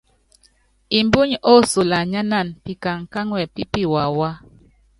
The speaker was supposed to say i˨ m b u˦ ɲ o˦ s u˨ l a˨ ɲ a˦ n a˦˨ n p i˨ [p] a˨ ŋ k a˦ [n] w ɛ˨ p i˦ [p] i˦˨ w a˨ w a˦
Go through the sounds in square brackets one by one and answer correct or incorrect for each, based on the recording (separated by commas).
incorrect, incorrect, correct